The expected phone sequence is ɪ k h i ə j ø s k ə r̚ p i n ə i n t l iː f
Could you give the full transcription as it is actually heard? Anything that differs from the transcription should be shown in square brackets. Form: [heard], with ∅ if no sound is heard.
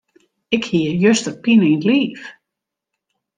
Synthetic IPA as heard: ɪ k h i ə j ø s [t] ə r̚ p i n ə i n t l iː f